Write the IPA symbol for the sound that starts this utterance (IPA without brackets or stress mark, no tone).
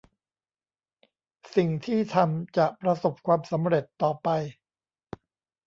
s